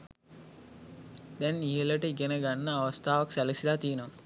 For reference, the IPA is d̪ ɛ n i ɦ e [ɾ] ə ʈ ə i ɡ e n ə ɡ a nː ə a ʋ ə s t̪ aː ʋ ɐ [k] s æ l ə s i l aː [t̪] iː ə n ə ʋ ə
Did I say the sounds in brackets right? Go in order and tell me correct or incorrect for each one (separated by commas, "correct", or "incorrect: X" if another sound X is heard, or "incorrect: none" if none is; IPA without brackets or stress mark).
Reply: incorrect: l, correct, correct